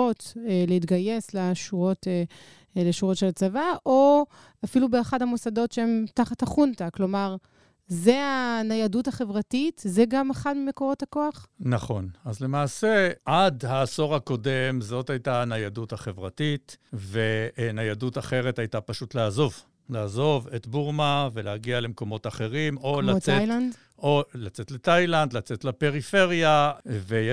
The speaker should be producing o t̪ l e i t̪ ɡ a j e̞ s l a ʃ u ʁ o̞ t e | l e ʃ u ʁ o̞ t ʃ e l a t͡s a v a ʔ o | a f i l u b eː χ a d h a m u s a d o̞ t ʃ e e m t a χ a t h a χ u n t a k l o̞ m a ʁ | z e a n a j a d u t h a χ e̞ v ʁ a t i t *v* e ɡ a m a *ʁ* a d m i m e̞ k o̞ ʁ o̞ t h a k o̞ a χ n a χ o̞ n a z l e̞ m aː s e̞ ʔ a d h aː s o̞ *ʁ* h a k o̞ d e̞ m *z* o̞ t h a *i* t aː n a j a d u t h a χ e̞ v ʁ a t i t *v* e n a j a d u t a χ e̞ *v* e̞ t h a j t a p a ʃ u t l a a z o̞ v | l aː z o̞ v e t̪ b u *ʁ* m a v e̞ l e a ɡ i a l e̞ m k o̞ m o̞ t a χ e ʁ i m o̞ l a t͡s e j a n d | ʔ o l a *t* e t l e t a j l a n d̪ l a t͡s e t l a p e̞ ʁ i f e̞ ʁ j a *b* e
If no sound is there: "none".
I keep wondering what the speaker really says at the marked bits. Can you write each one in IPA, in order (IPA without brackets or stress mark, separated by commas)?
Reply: z, χ, ʁ, z, j, v, ʁ, ʁ, t͡s, v